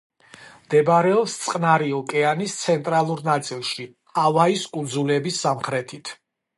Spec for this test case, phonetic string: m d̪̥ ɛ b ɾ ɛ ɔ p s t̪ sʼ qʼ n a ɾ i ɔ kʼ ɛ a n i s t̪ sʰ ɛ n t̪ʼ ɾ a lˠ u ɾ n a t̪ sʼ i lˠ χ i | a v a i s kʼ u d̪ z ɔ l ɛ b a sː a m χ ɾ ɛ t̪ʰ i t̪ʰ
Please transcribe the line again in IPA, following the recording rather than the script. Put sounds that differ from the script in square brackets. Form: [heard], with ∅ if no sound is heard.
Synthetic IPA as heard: m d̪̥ ɛ b ɾ ɛ ɔ p s t̪ sʼ qʼ n a ɾ i ɔ kʼ ɛ a n i s t̪ sʰ ɛ n t̪ʼ ɾ a lˠ u ɾ n a t̪ sʼ i lˠ [ʃ] i | a v a i s kʼ u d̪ z [u] l ɛ b [i] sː a m χ ɾ ɛ t̪ʰ i t̪ʰ